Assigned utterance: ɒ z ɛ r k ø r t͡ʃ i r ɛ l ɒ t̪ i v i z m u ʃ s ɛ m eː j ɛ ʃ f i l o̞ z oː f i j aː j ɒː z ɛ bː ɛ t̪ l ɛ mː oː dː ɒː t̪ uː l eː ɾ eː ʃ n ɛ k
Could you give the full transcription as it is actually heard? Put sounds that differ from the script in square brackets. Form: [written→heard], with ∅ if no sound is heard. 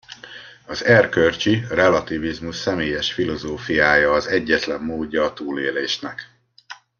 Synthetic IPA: ɒ z ɛ r k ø r t͡ʃ i r ɛ l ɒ t̪ i v i z m u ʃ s ɛ m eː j ɛ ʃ f i l o̞ z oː f i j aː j ɒː z ɛ [bː→ɟː] ɛ t̪ l ɛ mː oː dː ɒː t̪ uː l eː [ɾ→l] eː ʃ n ɛ k